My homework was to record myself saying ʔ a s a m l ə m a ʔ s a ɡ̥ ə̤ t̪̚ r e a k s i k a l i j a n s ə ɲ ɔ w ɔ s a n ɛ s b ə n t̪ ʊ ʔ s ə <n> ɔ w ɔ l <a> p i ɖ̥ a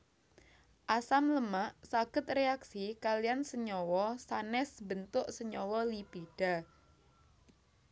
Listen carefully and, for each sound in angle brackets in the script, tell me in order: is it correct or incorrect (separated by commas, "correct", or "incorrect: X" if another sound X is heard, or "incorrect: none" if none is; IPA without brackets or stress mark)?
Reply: incorrect: ɲ, incorrect: i